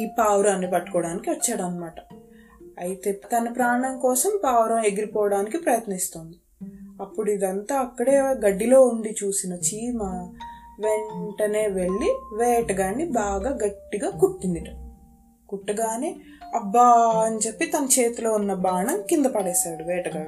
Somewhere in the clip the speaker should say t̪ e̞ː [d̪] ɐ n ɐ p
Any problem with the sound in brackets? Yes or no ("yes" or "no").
yes